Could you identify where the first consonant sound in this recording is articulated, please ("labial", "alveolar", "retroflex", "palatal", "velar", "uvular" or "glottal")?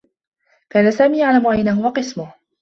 velar